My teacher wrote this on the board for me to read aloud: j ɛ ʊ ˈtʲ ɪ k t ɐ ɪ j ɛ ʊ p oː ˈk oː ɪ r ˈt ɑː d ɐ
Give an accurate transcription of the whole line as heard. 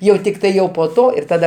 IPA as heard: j ɛ ʊ ˈtʲ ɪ k t ɐ ɪ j ɛ ʊ p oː ˈt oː ɪ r ˈt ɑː d ɐ